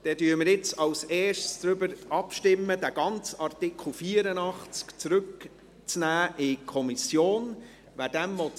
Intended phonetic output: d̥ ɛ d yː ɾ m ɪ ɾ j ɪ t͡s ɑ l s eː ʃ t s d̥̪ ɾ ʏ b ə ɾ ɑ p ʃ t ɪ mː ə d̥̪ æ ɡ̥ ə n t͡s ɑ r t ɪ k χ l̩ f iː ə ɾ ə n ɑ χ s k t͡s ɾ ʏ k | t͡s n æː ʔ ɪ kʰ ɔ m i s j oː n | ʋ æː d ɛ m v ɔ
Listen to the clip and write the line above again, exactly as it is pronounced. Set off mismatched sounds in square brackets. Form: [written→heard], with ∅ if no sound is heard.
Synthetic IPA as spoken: d̥ ɛ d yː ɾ m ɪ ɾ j ɪ t͡s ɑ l s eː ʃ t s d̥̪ ɾ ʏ b ə ɾ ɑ p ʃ t ɪ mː ə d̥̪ æ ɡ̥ [ə→ɑ] n t͡s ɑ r t ɪ k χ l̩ f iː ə ɾ ə n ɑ χ [s→t͡s] k t͡s ɾ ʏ k | t͡s n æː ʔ ɪ kʰ ɔ m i s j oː n | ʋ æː d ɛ m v ɔ